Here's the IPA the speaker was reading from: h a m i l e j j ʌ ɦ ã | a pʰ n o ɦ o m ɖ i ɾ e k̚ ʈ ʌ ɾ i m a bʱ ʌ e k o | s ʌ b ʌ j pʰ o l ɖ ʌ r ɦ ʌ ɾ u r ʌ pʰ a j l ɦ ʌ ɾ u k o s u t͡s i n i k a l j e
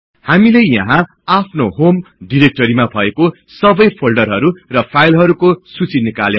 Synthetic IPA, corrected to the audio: h a m i l e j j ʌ ɦ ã | a pʰ n o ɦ o m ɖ i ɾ e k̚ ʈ ʌ ɾ i m a bʱ ʌ e k o | s ʌ b ʌ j pʰ o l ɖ ʌ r ɦ ʌ ɾ u r ʌ pʰ a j l ɦ ʌ ɾ u k o s u t͡s i n i k a l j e